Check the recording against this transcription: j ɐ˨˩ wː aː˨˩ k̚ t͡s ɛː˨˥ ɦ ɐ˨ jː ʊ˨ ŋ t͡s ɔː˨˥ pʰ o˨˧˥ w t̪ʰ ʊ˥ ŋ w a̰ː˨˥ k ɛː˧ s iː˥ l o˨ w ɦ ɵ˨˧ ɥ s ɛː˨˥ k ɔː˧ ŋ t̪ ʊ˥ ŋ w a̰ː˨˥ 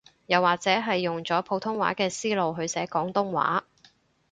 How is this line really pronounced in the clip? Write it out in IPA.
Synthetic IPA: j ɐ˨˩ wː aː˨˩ k̚ t͡s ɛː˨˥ ɦ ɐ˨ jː ʊ˨ ŋ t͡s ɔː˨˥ pʰ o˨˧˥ w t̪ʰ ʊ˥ ŋ w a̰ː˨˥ k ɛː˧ s iː˥ l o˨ w ɦ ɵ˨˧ ɥ s ɛː˨˥ k ɔː˨˥ ŋ t̪ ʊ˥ ŋ w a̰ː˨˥